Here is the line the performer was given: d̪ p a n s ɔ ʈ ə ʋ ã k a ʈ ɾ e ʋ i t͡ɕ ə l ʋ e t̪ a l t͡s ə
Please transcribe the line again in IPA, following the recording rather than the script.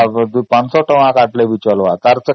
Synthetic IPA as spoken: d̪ p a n s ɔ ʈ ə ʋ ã k a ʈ l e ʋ i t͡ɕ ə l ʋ a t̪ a ɾ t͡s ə